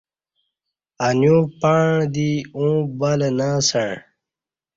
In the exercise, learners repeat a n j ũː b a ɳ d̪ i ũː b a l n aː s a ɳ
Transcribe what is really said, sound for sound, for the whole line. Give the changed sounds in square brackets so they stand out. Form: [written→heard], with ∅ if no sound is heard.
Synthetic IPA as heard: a n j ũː [b→p] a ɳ d̪ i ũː b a l n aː s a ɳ